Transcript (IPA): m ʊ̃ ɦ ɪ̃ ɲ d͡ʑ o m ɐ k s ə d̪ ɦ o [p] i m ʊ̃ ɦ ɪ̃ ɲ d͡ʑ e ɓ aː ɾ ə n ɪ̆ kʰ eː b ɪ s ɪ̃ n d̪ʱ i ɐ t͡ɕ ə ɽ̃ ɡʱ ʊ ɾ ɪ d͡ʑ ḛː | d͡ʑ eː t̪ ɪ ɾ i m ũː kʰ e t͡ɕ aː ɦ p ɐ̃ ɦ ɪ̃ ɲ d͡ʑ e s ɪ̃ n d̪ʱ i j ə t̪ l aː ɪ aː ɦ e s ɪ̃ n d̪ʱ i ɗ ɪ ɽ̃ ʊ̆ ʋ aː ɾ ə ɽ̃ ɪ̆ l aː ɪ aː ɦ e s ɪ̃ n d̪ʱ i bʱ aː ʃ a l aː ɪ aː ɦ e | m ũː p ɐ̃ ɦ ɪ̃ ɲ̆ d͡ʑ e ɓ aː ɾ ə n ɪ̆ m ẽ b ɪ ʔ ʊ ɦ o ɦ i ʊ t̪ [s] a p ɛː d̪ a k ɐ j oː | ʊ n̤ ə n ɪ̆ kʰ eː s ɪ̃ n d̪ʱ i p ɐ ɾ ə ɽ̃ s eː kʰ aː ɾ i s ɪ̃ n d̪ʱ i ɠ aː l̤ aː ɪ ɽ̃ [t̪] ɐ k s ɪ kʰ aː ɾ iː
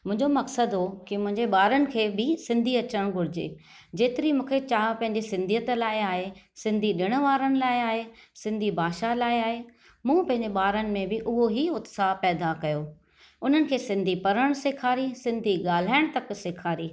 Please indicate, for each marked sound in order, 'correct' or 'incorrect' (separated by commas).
incorrect, correct, correct